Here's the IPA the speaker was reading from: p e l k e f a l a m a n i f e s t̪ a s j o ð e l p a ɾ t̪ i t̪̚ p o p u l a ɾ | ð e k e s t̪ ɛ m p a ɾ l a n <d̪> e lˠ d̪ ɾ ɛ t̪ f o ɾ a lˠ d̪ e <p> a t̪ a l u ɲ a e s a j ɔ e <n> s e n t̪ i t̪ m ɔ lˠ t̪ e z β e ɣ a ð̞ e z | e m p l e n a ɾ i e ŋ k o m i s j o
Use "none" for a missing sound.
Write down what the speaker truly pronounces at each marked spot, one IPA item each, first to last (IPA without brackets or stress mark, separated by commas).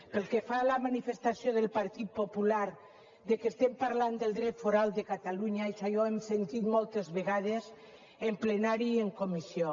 d̪, k, m